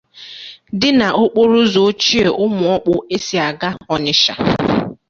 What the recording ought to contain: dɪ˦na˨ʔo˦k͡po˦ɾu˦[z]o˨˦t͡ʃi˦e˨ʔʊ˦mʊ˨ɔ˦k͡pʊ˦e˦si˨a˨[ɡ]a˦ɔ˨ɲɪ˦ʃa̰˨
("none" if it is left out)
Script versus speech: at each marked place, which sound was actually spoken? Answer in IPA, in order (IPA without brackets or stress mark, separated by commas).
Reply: z, ɡ